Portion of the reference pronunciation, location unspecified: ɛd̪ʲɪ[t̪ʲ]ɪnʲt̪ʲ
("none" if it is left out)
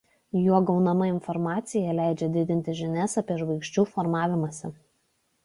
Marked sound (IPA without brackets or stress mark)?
d̪ʲ